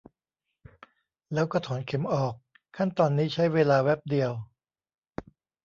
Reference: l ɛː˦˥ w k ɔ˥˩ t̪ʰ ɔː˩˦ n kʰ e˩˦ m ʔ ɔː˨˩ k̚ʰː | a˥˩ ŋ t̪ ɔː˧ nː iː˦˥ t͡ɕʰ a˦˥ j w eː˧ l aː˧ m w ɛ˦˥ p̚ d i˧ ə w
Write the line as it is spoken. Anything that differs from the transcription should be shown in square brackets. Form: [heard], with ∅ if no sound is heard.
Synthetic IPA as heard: l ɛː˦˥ w k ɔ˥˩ t̪ʰ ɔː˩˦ n kʰ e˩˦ m ʔ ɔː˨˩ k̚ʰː | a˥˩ [n] t̪ ɔː˧ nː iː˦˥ t͡ɕʰ a˦˥ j w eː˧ l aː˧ [∅] w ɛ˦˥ p̚ d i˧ ə w